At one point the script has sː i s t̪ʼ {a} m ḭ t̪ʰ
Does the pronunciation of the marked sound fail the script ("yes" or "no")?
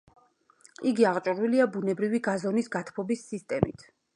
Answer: yes